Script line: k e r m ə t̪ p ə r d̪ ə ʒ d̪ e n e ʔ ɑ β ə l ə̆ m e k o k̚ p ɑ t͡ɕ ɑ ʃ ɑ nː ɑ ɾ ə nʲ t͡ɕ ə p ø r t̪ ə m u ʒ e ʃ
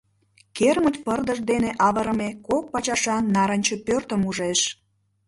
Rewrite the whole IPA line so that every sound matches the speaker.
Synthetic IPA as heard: k e r m ə t̪ p ə r d̪ ə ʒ d̪ e n e ʔ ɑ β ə ɾ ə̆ m e k o k̚ p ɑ t͡ɕ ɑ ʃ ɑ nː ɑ ɾ ə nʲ t͡ɕ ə p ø r t̪ ə m u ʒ e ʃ